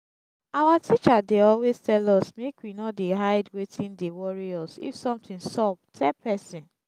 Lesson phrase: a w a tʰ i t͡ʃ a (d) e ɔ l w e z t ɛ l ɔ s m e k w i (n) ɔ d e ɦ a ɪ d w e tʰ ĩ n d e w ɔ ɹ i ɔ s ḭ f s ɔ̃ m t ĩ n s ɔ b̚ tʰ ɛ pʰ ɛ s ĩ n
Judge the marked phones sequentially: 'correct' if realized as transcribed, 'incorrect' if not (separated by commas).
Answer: correct, correct